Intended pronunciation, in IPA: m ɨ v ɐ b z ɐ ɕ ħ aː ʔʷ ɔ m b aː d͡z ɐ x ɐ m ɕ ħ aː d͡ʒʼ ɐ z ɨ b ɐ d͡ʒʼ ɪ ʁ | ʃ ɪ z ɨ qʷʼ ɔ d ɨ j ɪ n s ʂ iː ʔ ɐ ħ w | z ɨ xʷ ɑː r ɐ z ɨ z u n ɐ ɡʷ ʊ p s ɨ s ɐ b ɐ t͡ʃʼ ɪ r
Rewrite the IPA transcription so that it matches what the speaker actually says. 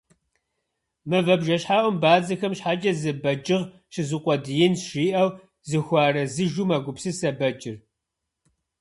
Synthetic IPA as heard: m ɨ v ɐ b ʒ ɐ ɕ ħ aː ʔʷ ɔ m b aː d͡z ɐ x ɐ m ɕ ħ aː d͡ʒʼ ɐ z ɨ b ɐ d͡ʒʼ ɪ ʁ | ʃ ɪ z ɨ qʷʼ ɔ d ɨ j ɪ n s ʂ iː ʔ ɐ w | z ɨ xʷ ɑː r ɐ z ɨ ʒ u m ɐ ɡʷ ʊ p s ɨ s ɐ b ɐ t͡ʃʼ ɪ r